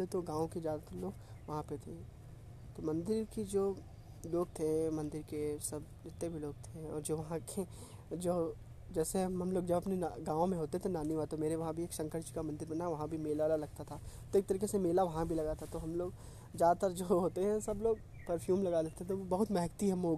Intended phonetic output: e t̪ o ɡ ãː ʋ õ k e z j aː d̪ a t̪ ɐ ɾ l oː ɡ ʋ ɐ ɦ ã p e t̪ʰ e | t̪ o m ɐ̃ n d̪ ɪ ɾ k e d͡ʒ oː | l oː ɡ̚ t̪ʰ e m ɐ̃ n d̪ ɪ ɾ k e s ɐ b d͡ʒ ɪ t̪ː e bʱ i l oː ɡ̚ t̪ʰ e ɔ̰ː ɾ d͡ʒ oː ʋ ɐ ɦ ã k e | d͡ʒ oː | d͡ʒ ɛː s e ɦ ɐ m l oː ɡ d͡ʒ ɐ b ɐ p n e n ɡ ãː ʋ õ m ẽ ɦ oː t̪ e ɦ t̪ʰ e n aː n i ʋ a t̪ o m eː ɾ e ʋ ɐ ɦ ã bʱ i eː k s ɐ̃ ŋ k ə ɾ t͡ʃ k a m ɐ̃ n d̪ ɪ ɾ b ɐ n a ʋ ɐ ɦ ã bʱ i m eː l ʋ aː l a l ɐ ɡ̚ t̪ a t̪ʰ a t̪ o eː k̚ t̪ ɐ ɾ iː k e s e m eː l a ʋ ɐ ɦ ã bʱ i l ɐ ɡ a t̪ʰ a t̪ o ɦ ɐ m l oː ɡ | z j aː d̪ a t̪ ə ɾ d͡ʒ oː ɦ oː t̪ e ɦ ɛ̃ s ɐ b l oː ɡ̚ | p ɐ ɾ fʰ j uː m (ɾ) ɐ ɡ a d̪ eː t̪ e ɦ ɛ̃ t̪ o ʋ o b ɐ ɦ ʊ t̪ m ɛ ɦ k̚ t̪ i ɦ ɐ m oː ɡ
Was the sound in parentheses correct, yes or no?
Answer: no